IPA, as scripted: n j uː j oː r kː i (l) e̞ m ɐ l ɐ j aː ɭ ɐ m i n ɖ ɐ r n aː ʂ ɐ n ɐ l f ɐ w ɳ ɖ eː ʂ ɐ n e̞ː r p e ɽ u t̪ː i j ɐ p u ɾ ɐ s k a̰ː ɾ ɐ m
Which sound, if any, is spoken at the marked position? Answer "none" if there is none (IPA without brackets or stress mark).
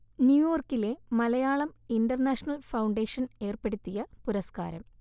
l